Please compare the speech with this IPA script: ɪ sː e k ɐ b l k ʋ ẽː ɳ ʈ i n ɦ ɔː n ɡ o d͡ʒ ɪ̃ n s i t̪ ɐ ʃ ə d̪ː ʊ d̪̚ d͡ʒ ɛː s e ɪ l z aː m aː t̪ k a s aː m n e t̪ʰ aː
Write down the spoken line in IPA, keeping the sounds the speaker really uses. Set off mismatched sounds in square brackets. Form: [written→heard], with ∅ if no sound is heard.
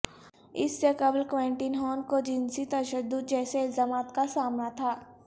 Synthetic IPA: ɪ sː e k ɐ b l k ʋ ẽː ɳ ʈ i n ɦ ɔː n [ɡ→k] o d͡ʒ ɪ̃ n s i t̪ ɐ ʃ ə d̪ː ʊ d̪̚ d͡ʒ ɛː s e ɪ l z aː m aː t̪ k a s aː m n [e→a] t̪ʰ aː